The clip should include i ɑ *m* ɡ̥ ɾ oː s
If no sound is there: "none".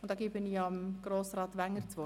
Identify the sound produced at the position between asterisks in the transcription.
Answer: m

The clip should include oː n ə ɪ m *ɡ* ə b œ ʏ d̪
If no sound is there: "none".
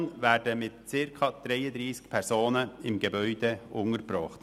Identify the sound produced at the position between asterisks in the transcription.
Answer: ɡ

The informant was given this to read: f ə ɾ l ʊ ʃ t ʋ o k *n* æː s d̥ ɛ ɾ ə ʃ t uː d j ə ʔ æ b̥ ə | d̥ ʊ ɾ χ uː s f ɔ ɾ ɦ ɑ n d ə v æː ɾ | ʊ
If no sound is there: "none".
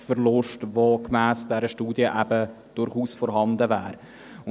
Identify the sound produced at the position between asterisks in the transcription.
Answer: m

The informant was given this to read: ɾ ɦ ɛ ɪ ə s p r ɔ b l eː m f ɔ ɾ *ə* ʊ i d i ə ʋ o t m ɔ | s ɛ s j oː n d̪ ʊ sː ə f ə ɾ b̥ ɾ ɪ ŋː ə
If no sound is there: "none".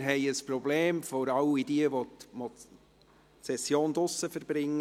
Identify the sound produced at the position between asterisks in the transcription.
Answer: ɑ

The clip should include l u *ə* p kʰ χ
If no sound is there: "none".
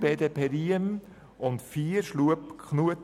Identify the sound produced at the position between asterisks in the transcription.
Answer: ə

